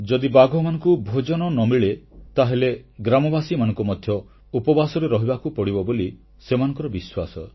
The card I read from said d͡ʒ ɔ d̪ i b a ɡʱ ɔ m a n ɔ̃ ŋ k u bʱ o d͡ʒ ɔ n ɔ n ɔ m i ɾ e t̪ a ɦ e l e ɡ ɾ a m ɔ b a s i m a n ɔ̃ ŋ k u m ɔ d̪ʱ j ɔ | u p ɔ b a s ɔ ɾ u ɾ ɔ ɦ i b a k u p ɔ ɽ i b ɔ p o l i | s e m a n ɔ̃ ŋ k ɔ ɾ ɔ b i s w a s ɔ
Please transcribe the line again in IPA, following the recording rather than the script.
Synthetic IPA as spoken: d͡ʒ ɔ d̪ i b a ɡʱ ɔ m a n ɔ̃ ŋ k u bʱ o d͡ʒ ɔ n ɔ n ɔ m i ɭ e t̪ a ɦ e l e ɡ ɾ a m ɔ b a s i m a n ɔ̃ ŋ k u m ɔ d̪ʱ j ɔ | u p ɔ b a s ɔ ɾ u ɾ ɔ ɦ i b a k u p ɔ ɽ i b ɔ b o l i | s e m a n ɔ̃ ŋ k ɔ ɾ ɔ b i s w a s ɔ